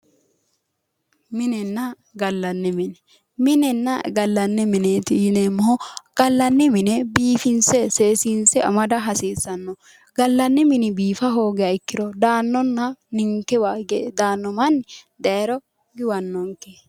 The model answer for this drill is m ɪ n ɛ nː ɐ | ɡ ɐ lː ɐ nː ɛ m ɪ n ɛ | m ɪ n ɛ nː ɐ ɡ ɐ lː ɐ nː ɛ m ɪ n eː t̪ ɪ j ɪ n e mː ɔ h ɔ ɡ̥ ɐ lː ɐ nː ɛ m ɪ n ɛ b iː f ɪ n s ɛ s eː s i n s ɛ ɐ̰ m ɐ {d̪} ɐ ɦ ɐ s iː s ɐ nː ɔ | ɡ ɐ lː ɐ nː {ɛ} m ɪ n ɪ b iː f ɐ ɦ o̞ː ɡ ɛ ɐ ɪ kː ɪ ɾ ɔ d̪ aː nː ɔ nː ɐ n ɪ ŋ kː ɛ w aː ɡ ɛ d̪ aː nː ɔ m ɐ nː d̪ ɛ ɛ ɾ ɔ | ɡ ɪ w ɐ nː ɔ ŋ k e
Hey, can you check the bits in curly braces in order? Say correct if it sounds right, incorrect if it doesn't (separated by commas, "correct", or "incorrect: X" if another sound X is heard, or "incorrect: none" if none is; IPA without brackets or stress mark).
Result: correct, correct